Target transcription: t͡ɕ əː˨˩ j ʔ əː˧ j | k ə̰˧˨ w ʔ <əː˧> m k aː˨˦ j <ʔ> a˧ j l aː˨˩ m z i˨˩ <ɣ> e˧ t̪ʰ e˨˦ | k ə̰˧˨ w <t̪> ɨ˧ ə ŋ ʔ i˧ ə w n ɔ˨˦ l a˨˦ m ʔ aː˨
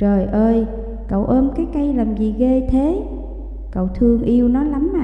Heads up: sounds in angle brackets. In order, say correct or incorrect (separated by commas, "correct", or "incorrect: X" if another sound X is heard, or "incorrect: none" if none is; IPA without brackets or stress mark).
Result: correct, incorrect: k, correct, incorrect: t̪ʰ